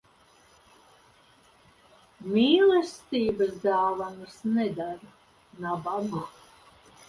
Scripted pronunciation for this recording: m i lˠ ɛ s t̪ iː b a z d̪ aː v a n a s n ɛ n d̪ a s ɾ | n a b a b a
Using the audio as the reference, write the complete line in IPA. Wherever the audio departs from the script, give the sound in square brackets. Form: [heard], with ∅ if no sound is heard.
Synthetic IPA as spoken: m [iː] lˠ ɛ s t̪ iː b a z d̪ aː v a n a s n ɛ [∅] d̪ a [∅] ɾ | n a b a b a